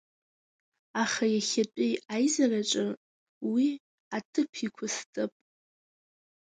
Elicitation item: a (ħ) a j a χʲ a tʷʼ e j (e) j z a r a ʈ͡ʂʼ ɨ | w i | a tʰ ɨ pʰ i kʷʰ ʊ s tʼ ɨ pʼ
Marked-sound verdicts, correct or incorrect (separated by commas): incorrect, incorrect